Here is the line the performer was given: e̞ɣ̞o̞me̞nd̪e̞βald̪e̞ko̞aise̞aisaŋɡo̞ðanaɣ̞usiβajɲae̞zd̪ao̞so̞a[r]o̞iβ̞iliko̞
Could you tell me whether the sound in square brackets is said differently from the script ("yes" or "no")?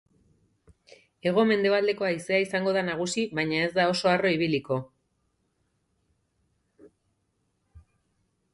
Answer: no